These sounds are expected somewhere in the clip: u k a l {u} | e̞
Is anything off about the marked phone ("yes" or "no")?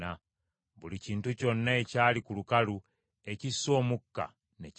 no